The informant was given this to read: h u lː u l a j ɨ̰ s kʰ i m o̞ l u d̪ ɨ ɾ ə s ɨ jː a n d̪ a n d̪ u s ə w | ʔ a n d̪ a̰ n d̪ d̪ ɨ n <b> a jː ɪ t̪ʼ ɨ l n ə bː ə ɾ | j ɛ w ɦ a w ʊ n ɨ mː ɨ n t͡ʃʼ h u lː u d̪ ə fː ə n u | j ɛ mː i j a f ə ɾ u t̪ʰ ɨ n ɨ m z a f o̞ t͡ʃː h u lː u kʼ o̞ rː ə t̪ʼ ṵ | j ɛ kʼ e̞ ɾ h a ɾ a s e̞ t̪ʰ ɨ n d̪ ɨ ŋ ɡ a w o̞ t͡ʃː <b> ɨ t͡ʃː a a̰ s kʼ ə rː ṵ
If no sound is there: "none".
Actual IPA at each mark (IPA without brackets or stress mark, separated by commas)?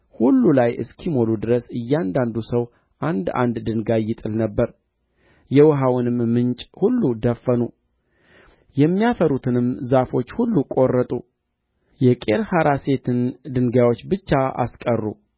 ɡ, b